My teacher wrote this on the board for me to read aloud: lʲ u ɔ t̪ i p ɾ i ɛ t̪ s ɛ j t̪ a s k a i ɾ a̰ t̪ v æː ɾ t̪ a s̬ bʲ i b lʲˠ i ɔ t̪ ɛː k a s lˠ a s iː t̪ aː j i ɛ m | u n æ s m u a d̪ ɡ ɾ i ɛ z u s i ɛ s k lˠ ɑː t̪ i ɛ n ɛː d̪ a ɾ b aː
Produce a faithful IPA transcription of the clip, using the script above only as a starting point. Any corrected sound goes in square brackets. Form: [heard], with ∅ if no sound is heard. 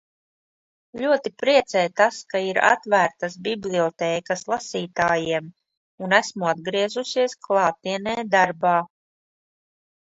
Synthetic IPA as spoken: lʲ u ɔ t̪ i p ɾ i ɛ t̪ s ɛ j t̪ a s k a i ɾ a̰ t̪ v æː ɾ t̪ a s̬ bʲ i b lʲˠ i ɔ t̪ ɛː k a s lˠ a s iː t̪ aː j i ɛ m | u n æ s m u a d̪ ɡ ɾ i ɛ z u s i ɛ s k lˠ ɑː t̪ i ɛ n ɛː d̪ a ɾ b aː